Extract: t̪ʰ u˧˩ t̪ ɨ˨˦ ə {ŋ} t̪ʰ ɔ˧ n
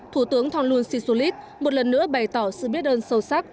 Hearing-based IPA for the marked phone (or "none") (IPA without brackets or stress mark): ŋ